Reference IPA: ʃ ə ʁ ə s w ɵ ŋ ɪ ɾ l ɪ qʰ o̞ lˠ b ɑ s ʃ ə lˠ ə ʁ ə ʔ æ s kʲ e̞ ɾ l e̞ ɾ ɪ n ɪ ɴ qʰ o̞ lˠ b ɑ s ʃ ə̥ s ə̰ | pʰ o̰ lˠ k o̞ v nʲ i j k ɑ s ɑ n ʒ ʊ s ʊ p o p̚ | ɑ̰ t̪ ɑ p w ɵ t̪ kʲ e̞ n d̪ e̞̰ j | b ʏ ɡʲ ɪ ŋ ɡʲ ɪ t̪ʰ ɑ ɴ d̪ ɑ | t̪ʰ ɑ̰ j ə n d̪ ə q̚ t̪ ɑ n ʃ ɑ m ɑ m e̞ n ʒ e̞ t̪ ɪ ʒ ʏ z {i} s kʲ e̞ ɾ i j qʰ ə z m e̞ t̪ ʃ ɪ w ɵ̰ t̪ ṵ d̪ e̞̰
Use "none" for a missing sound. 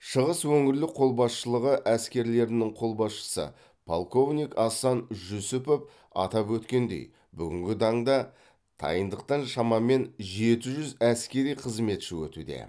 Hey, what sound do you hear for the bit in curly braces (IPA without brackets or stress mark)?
æ